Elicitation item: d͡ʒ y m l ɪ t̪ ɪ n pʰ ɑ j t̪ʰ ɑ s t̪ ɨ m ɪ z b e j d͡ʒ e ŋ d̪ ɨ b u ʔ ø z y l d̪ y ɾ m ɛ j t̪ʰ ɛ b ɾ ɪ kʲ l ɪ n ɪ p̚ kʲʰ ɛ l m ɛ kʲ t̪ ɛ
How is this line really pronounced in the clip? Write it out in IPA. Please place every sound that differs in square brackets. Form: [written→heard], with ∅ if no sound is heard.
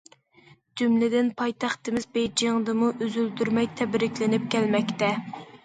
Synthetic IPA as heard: d͡ʒ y m l ɪ [t̪→d̪] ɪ n pʰ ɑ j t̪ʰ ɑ [s→χ] t̪ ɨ m ɪ z b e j d͡ʒ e ŋ d̪ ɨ [b→m] u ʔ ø z y l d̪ y ɾ m ɛ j t̪ʰ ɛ b ɾ ɪ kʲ l ɪ n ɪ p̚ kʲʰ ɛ l m ɛ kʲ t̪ ɛ